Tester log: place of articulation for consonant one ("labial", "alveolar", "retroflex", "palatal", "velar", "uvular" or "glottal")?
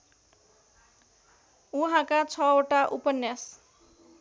glottal